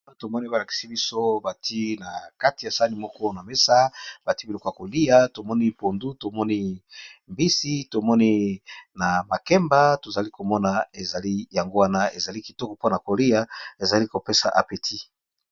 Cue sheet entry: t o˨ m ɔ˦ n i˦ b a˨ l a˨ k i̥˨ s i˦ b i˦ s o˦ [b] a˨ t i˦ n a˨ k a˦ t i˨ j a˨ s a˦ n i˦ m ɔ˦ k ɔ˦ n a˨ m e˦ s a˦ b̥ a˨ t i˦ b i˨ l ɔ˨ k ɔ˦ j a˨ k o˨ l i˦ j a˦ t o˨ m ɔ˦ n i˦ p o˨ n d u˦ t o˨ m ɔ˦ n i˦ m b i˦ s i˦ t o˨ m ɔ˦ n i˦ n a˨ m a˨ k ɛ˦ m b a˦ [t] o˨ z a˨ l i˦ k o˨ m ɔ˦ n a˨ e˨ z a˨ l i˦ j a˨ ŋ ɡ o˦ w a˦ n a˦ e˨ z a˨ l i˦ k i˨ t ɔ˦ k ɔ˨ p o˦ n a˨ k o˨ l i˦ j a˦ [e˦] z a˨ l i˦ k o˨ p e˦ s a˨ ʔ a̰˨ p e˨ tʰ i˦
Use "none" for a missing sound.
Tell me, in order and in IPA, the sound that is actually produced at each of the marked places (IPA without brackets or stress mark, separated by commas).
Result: b, t, e˨